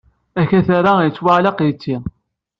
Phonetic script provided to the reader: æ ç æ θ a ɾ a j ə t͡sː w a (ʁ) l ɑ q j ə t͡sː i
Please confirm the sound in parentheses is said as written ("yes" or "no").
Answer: no